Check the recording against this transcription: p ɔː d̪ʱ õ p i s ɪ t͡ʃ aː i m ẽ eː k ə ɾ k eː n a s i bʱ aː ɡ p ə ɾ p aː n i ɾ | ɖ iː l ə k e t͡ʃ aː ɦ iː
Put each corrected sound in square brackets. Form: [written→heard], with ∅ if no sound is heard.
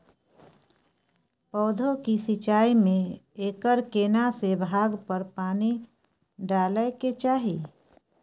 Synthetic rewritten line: p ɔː d̪ʱ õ [p→k] i s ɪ t͡ʃ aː i m ẽ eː k ə ɾ k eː n a s [i→e] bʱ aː ɡ p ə ɾ p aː n i [ɾ→∅] | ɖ [iː→aː] l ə k e t͡ʃ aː ɦ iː